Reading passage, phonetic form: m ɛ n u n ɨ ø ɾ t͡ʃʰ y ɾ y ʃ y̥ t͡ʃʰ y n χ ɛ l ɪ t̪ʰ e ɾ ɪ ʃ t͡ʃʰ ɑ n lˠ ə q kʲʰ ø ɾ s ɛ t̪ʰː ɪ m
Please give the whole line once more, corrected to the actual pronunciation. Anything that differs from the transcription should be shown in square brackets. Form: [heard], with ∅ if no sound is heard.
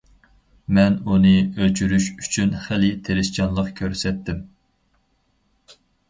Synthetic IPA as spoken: m ɛ n u n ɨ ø [l] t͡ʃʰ y ɾ y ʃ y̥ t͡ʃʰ y n χ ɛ l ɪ t̪ʰ e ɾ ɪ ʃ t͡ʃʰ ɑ n lˠ ə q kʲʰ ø ɾ s ɛ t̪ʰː ɪ m